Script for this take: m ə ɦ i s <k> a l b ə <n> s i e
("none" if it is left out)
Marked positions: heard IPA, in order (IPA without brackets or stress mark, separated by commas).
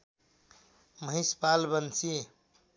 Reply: p, n